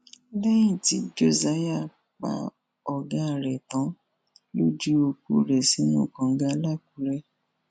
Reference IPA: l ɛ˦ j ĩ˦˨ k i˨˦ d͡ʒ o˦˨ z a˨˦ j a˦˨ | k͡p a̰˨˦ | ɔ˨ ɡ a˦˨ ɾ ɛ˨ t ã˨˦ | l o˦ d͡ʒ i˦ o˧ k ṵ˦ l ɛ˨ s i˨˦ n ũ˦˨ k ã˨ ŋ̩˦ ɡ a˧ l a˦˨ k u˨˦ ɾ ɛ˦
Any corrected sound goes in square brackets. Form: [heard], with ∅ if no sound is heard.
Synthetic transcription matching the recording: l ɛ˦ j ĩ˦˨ [t] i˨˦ d͡ʒ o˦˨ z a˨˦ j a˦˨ | k͡p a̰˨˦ | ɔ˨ ɡ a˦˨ ɾ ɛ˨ t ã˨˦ | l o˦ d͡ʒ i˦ o˧ k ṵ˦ [ɾ] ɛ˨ s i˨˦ n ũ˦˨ k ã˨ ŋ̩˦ ɡ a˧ l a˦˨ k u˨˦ ɾ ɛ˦